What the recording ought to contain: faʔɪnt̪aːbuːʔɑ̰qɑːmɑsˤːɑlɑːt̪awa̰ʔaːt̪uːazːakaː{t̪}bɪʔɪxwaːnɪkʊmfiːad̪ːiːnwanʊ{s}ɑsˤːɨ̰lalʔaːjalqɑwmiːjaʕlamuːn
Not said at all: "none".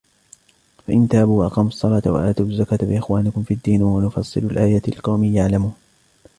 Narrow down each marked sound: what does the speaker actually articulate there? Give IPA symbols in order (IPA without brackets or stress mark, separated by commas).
t̪, f